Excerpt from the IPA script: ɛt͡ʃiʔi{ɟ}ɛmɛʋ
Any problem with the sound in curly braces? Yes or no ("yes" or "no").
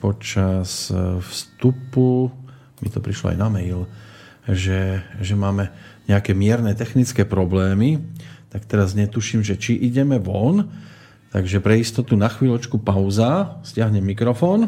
no